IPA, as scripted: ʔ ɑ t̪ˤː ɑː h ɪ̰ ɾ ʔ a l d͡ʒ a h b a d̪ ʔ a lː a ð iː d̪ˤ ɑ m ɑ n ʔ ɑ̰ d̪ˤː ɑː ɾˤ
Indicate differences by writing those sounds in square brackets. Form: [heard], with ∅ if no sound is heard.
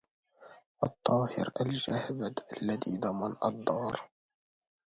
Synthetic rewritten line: ʔ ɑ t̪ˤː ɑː h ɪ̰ ɾ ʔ a l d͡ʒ a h b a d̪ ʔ a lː a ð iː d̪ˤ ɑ m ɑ n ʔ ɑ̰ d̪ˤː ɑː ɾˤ